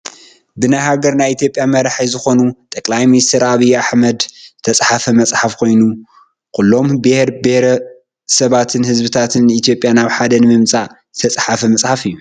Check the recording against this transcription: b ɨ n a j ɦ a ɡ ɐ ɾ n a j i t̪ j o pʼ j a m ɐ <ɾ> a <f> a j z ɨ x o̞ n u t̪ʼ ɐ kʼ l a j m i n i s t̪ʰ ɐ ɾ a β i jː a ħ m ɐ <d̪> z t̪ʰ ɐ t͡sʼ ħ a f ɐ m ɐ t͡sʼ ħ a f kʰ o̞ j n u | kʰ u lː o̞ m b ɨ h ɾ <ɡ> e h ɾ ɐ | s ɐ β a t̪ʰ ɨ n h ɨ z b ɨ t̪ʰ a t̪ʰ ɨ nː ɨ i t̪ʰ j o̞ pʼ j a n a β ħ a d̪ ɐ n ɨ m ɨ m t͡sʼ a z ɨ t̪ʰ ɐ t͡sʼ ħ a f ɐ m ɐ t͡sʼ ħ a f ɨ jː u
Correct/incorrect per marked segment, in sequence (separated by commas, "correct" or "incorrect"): correct, incorrect, correct, incorrect